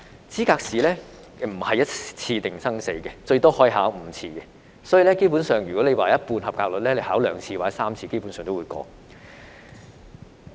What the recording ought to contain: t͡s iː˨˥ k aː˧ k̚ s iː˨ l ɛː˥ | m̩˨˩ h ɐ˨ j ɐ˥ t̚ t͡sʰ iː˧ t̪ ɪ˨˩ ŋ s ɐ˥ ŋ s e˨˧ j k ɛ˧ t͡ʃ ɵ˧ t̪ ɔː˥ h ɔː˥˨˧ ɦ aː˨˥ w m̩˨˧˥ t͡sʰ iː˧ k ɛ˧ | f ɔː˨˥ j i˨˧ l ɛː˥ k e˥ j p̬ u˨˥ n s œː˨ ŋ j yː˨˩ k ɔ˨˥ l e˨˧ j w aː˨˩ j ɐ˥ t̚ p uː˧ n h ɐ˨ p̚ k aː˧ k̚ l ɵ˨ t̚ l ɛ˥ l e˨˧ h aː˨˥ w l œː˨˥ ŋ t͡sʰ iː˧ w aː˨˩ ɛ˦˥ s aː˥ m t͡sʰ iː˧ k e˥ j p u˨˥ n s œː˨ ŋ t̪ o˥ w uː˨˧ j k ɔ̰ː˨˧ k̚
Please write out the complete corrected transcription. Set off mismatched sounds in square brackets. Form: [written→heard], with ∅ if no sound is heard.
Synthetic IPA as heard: t͡s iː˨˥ k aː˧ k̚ s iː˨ l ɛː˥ | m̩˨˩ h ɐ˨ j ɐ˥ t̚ t͡sʰ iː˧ t̪ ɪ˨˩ ŋ s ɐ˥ ŋ s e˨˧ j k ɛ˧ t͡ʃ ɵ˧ t̪ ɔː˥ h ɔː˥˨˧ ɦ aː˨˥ w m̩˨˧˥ t͡sʰ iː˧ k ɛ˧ | [f→s] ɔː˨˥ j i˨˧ l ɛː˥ k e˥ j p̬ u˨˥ n s œː˨ ŋ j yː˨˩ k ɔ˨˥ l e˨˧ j w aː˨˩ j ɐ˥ t̚ p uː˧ n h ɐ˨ p̚ k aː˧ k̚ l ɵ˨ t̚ l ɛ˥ l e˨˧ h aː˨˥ w l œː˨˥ ŋ t͡sʰ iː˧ w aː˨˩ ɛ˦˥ s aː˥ m t͡sʰ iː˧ k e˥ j p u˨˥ n s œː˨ ŋ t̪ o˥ w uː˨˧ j k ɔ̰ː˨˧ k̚